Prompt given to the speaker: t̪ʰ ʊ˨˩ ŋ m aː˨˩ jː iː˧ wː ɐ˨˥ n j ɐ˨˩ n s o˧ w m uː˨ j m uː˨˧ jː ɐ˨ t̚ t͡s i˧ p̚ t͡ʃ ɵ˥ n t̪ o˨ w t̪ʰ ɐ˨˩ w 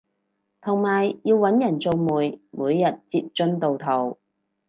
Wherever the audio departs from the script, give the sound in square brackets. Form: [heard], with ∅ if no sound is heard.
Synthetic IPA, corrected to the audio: t̪ʰ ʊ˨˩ ŋ m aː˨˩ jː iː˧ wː ɐ˨˥ n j ɐ˨˩ n [t͡s] o˧ w m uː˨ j m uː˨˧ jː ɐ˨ t̚ t͡s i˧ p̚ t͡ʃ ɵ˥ n t̪ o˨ w t̪ʰ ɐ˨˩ w